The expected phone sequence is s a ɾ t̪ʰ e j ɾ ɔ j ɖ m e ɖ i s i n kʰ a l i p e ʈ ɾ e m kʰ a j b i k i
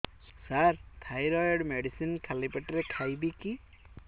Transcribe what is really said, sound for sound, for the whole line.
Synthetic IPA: s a ɾ t̪ʰ a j ɾ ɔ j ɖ m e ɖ i s i n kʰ a l i p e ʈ ɾ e kʰ a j b i k i